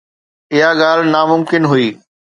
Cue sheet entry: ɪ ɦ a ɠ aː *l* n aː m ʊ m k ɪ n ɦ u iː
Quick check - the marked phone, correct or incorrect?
correct